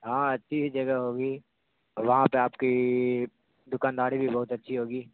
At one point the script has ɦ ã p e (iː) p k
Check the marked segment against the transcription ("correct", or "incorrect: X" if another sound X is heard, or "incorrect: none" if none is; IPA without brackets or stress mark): incorrect: aː